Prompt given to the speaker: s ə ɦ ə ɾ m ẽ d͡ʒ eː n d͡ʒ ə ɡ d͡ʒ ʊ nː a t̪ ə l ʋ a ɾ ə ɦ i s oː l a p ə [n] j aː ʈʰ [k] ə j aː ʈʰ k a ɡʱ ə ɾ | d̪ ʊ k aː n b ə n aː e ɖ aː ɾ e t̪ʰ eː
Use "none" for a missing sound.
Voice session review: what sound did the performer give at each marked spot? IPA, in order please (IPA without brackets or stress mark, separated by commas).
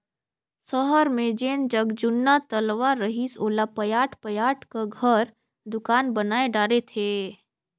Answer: none, p